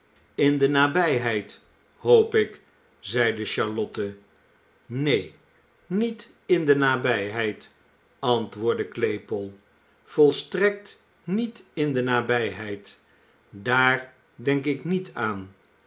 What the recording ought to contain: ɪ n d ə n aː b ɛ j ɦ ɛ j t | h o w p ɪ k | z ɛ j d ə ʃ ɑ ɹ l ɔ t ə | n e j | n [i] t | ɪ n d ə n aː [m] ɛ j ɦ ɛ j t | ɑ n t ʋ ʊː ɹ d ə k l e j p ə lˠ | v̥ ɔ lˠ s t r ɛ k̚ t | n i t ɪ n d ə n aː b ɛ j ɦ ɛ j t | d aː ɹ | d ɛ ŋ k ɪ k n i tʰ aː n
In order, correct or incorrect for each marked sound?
correct, incorrect

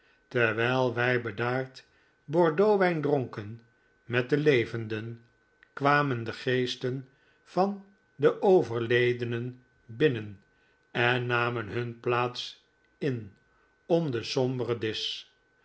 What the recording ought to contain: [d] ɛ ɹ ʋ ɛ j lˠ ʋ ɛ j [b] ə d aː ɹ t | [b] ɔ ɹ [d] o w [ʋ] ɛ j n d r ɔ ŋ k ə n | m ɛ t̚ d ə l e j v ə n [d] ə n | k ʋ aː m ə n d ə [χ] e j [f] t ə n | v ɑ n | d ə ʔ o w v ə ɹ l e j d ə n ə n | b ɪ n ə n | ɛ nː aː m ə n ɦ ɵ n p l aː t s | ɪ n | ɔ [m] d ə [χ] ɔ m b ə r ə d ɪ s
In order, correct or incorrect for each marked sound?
incorrect, correct, correct, correct, correct, correct, correct, incorrect, correct, incorrect

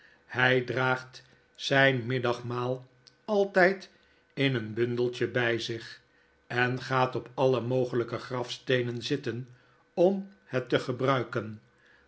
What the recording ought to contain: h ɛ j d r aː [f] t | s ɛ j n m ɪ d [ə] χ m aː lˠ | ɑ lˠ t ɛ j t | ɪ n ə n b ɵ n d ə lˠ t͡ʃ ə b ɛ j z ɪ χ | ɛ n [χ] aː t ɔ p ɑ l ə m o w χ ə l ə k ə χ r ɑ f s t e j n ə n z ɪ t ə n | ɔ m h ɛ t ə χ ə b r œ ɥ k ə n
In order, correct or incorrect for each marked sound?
incorrect, incorrect, correct

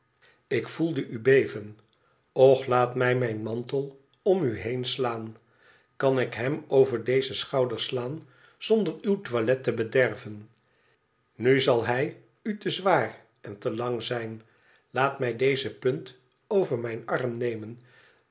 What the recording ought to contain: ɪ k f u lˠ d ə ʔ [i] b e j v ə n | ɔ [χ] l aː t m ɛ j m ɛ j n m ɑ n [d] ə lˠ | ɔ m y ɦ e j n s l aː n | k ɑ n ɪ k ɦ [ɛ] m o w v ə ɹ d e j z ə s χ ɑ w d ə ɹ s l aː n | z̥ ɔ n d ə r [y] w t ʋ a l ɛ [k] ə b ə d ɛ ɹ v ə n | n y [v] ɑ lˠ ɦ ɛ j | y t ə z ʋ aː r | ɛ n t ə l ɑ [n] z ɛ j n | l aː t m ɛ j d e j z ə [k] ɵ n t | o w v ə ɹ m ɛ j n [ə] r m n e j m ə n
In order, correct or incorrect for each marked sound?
incorrect, correct, incorrect, correct, correct, incorrect, incorrect, incorrect, incorrect, incorrect

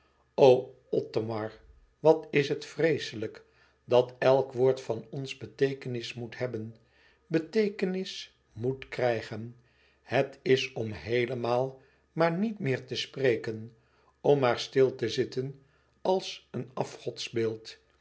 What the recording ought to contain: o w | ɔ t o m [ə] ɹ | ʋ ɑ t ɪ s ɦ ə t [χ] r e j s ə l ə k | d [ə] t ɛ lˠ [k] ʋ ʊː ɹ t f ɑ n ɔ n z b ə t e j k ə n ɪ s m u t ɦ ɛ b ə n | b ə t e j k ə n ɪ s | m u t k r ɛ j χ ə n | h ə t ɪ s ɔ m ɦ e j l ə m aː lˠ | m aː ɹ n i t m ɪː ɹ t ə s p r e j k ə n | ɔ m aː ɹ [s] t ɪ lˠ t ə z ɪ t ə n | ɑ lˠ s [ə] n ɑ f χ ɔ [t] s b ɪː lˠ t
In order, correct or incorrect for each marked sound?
incorrect, incorrect, incorrect, correct, correct, correct, correct

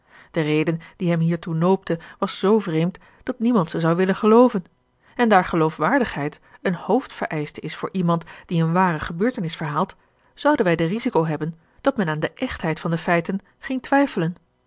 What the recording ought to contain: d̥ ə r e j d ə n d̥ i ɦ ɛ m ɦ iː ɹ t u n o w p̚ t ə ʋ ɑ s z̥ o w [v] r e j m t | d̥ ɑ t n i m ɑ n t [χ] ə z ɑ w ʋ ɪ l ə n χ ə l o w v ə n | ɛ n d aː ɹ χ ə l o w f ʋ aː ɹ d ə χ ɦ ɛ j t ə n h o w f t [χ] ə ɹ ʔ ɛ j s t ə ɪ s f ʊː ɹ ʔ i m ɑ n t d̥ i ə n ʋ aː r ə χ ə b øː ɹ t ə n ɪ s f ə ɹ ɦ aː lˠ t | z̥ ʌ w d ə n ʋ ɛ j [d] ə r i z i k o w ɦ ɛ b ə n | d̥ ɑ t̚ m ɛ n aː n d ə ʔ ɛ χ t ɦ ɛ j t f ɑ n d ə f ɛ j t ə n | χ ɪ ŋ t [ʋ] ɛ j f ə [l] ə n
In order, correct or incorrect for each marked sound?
correct, incorrect, incorrect, correct, correct, correct

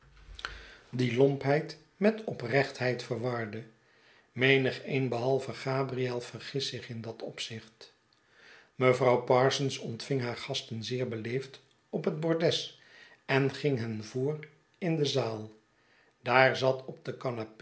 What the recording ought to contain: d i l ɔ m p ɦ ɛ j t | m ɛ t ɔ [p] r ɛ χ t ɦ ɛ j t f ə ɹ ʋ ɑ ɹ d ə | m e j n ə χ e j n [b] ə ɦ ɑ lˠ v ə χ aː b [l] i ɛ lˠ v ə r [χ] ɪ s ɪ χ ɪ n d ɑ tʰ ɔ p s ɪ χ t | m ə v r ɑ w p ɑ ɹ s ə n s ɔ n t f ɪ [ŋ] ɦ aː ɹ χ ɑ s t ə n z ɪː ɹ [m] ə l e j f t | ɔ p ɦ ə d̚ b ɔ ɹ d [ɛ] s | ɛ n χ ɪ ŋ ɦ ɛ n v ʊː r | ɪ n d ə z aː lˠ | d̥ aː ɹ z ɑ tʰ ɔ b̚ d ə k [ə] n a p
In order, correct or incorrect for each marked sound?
correct, correct, incorrect, correct, correct, incorrect, correct, incorrect

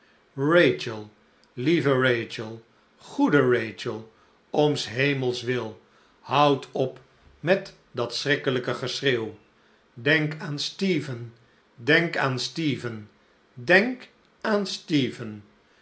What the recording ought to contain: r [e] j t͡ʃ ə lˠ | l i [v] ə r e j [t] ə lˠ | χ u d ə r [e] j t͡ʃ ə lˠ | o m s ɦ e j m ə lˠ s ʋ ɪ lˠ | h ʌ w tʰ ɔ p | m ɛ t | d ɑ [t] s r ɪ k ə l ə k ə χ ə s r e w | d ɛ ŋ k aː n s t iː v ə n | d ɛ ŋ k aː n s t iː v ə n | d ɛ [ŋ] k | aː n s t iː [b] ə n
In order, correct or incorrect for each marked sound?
correct, correct, incorrect, correct, correct, correct, incorrect

